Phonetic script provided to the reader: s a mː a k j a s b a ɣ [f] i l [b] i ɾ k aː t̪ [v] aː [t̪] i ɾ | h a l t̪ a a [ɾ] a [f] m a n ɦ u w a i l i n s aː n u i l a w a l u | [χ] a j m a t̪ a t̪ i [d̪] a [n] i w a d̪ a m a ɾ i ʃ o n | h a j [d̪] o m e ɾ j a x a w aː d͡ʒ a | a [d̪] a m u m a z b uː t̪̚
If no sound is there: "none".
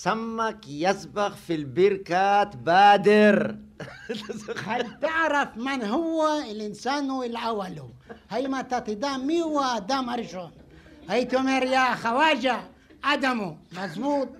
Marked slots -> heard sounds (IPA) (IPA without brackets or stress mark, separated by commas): f, b, b, d̪, ɾ, f, h, d̪, m, t̪, d̪